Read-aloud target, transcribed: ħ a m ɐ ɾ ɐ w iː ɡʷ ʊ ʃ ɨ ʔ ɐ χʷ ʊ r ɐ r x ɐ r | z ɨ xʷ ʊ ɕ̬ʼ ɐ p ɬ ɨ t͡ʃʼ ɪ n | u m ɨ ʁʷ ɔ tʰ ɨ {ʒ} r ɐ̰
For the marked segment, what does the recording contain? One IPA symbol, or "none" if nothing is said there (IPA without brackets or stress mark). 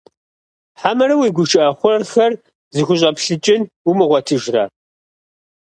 ʒ